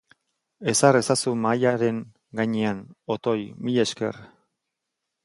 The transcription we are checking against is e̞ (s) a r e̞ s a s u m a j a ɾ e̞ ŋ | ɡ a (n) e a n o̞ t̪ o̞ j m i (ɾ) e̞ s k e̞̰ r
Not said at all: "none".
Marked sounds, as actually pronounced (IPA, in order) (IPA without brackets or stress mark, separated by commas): s, ɲ, ʎ